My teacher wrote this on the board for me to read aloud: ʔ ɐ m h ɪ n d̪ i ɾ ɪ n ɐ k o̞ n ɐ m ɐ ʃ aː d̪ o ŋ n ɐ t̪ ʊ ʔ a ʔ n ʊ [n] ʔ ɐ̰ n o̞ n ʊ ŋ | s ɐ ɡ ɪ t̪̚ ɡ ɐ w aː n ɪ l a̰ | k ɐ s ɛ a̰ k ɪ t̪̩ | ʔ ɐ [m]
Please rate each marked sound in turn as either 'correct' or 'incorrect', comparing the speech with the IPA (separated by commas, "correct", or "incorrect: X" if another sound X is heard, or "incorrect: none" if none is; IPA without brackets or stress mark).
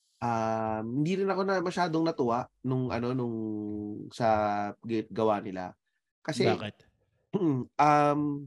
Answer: incorrect: ŋ, correct